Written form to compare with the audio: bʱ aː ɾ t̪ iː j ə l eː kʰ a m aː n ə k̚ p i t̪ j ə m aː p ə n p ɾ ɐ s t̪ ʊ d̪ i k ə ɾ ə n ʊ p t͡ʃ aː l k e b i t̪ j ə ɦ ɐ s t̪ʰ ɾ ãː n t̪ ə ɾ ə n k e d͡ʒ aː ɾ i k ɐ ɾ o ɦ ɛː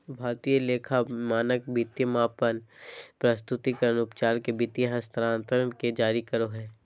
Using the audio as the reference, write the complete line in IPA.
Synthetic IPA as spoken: bʱ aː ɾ t̪ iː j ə l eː kʰ a m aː n ə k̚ b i t̪ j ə m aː p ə n p ɾ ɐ s t̪ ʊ t̪ i k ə ɾ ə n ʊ p t͡ʃ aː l k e b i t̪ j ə ɦ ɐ s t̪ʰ ɾ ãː n t̪ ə ɾ ə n k e d͡ʒ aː ɾ i k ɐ ɾ o ɦ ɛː